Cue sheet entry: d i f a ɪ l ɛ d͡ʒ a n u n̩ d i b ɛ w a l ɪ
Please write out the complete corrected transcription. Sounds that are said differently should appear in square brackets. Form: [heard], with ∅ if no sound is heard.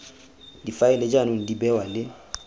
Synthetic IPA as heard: d i f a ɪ l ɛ d͡ʒ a n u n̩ d i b ɛ w a l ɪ